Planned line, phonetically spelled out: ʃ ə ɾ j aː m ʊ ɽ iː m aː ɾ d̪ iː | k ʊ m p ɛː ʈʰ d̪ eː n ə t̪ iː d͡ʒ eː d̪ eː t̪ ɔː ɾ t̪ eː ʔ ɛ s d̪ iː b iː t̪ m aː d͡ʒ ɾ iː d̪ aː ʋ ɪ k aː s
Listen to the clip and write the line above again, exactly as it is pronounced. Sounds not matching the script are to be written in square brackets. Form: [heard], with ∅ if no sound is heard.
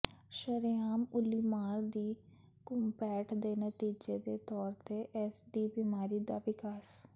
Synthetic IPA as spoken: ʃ ə ɾ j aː m ʊ [l] iː m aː ɾ d̪ iː | k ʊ m p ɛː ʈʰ d̪ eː n ə t̪ iː d͡ʒ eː d̪ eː t̪ ɔː ɾ t̪ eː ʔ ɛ s d̪ iː b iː [∅] m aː [∅] ɾ iː d̪ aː ʋ ɪ k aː s